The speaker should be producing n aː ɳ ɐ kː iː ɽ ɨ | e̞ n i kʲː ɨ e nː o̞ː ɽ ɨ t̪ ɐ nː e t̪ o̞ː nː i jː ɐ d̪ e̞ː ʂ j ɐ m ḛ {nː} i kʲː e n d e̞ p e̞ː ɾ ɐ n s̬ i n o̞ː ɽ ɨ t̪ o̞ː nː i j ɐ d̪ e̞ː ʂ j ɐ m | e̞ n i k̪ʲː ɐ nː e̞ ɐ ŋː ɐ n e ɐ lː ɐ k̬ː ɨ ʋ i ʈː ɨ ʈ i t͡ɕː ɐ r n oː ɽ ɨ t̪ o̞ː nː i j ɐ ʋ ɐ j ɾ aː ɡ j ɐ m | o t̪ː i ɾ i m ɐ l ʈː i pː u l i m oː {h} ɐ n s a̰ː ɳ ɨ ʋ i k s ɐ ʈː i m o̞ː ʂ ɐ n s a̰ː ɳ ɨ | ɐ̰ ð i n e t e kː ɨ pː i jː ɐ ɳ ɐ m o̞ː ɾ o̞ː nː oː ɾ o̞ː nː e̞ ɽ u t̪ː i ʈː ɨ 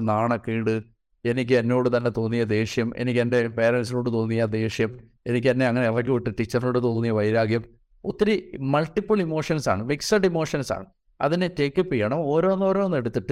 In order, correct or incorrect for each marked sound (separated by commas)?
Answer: incorrect, incorrect